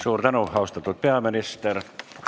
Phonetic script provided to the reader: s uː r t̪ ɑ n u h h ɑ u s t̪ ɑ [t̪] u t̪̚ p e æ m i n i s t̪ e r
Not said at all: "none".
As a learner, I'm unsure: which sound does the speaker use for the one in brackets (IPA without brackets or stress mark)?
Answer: t̪